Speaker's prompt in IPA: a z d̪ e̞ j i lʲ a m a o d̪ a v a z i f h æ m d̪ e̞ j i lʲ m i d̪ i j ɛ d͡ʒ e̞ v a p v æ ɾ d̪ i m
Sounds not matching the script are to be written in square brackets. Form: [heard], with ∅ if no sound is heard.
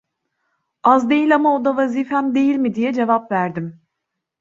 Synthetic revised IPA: a z d̪ e̞ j i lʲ a m a o d̪ a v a z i f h æ m d̪ e̞ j i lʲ m i d̪ i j ɛ d͡ʒ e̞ v a p v æ ɾ d̪ i m

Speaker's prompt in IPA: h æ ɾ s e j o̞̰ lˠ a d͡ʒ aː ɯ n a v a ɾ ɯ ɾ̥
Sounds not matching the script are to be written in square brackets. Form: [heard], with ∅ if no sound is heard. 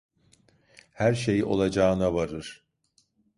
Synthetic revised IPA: h æ ɾ [ʃ] e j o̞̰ lˠ a d͡ʒ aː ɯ n a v a ɾ ɯ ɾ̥

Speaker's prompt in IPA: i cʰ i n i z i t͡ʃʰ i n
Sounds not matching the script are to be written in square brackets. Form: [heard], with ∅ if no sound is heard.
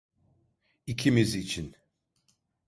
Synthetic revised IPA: i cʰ i [m] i z i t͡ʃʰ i n

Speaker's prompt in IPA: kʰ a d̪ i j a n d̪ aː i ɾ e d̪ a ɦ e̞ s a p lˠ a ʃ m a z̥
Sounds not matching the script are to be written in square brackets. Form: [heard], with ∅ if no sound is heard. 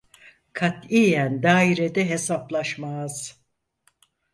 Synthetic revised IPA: kʰ a [t̪] i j [æ] n d̪ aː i ɾ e d̪ [ɛ] ɦ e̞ s a p lˠ a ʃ m a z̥

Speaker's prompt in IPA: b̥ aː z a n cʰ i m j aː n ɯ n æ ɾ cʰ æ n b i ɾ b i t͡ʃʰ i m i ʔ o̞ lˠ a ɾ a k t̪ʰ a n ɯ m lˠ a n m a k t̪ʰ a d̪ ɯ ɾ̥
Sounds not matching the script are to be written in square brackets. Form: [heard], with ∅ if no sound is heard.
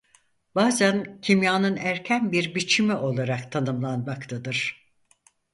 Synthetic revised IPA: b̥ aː z [æ] n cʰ i m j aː n ɯ n æ ɾ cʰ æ n b i ɾ b i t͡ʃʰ i m i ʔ o̞ lˠ a ɾ a k t̪ʰ a n ɯ m lˠ a n m a k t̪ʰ a d̪ ɯ ɾ̥

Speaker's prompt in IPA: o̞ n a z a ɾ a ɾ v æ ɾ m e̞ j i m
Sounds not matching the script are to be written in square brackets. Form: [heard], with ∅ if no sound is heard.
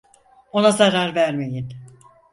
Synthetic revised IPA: o̞ n a z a ɾ a ɾ v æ ɾ m e̞ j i [n]

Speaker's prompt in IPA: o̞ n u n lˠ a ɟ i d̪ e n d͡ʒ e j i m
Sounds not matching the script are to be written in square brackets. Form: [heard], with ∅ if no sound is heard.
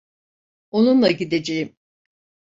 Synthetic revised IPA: o̞ n u n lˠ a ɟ i d̪ e [∅] d͡ʒ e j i m

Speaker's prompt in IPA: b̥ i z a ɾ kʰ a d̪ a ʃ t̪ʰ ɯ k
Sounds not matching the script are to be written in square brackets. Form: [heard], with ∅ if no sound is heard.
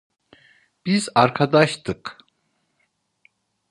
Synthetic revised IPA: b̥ i z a ɾ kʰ a d̪ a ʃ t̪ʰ ɯ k

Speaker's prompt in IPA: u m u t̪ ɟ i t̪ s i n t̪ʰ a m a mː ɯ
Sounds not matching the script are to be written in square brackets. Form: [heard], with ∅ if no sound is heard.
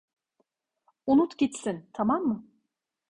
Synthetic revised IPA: u [n] u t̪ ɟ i t̪ s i n t̪ʰ a m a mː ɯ

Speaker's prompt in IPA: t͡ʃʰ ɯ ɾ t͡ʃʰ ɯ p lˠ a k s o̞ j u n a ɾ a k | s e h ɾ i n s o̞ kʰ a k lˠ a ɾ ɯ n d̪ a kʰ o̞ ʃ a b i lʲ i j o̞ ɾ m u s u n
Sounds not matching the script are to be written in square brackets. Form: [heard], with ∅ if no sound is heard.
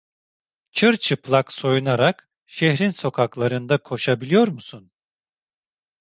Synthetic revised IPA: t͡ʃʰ ɯ ɾ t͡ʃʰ ɯ p lˠ a k s o̞ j u n a ɾ a k | [ʃ] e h ɾ i n s o̞ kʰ a k lˠ a ɾ ɯ n d̪ a kʰ o̞ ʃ a b i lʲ i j o̞ ɾ m u s u n

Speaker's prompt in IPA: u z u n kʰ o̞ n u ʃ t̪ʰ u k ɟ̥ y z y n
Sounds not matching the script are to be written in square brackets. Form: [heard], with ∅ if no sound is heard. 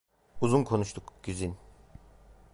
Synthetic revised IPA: u z u n kʰ o̞ n u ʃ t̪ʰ u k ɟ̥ y z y n

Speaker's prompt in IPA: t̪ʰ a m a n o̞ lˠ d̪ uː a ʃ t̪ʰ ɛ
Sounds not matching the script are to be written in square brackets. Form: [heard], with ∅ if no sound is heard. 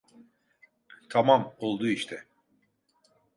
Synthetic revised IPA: t̪ʰ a m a [m] o̞ lˠ d̪ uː [i] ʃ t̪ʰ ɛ

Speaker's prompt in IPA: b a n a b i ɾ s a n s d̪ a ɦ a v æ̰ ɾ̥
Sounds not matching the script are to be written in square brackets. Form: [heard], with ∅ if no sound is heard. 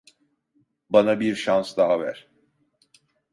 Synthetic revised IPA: b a n a b i ɾ [ʃ] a n s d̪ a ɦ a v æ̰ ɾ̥

